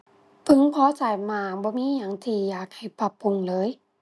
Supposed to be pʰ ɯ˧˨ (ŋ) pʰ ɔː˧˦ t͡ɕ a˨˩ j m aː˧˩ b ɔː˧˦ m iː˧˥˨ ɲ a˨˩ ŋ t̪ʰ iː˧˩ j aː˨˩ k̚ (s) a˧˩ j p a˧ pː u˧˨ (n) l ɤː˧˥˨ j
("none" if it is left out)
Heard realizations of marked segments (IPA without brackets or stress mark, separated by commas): ŋ, h, ŋ